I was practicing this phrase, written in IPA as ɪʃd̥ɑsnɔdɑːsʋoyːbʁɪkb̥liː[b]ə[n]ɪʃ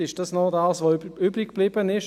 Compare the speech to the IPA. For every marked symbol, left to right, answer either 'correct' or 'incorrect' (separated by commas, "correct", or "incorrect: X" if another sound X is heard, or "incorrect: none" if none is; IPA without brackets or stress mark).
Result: correct, correct